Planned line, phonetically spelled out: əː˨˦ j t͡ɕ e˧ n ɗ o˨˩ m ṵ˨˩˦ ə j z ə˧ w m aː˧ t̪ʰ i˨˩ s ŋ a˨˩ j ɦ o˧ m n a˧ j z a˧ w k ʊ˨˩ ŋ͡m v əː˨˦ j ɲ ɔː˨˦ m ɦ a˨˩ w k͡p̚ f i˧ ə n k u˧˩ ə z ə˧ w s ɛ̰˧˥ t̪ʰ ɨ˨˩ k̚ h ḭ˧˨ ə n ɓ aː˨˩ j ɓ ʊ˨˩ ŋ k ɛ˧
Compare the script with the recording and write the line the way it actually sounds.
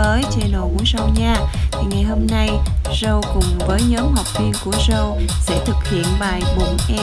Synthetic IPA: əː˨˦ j t͡ɕ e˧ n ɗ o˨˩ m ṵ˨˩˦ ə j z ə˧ w ɲ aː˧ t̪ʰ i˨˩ ŋ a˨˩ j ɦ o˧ m n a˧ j z ə˧ w k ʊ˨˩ ŋ͡m v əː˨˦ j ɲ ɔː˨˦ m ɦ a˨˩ w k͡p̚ v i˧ ə n k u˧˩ ə z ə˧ w s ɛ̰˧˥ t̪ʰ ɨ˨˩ k̚ h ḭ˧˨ ə n ɓ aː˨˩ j ɓ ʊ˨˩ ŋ ʔ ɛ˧